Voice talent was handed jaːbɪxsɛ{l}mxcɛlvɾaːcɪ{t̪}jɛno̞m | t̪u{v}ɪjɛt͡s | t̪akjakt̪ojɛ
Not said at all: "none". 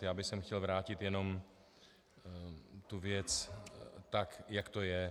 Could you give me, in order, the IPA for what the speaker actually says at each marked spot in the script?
none, t̪, v

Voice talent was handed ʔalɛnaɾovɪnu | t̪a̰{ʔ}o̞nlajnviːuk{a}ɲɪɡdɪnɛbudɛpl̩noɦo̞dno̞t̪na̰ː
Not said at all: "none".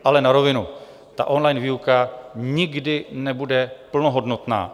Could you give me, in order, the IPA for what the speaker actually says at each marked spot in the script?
ʔ, a

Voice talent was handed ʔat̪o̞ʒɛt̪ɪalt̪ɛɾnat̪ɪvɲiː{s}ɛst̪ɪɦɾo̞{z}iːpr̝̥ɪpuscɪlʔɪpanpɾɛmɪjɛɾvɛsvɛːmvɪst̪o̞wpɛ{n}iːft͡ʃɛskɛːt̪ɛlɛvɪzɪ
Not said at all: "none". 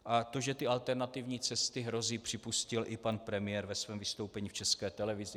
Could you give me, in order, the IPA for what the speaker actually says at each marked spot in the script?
t͡s, z, ɲ

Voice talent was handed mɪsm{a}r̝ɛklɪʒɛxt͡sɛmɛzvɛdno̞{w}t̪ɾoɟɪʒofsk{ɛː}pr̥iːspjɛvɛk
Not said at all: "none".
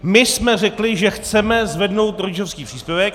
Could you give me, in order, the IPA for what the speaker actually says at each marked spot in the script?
ɛ, w, iː

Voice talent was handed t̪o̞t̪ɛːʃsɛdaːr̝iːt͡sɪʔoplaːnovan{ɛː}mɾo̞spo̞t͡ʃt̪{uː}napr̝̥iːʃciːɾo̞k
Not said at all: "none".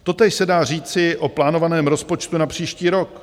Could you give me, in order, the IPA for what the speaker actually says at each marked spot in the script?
ɛː, u

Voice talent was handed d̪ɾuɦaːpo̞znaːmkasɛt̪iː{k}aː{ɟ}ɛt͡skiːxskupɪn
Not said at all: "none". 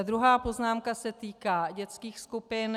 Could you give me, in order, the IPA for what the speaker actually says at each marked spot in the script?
k, ɟ

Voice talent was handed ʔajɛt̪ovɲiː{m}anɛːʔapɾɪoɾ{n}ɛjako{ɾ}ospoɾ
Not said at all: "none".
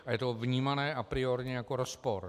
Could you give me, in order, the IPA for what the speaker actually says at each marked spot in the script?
m, ɲ, ɾ

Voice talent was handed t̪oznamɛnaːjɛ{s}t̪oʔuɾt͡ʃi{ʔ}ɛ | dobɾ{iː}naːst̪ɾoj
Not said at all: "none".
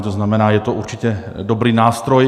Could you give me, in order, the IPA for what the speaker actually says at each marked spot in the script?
none, c, iː

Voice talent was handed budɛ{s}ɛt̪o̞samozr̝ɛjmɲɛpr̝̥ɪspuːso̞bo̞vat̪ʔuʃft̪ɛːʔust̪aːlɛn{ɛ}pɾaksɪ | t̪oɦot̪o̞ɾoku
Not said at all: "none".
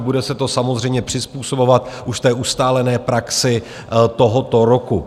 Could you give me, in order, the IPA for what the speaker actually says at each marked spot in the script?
s, ɛː

